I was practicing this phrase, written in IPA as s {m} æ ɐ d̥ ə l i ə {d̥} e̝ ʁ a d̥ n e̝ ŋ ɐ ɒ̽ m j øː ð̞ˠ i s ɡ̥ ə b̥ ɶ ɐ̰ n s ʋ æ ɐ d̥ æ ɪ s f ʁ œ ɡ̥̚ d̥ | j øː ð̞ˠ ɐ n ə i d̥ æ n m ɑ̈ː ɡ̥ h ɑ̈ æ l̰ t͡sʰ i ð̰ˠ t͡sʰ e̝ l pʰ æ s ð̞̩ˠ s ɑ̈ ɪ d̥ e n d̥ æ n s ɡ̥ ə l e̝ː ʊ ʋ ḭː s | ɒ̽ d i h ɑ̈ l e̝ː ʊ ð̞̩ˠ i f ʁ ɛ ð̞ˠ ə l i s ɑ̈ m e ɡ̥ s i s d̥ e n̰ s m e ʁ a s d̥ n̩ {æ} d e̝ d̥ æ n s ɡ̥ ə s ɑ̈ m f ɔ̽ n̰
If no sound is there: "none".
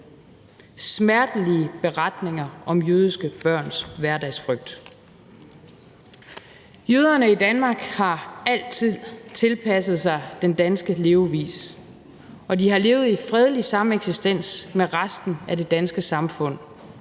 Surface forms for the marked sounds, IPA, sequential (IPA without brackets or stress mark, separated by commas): m, b̥, æ